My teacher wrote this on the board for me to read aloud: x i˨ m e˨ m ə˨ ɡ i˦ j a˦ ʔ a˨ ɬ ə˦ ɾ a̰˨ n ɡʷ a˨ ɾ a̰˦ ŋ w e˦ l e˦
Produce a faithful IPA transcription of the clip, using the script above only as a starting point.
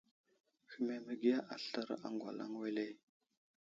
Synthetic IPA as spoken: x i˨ m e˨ m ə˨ ɡ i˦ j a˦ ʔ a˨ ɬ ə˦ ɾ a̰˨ ŋ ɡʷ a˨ l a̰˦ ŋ w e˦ l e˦